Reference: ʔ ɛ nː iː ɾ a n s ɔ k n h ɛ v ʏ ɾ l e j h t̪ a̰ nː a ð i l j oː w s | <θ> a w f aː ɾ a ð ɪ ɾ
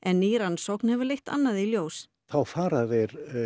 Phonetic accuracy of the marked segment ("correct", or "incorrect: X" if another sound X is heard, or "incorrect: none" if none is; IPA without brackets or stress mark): correct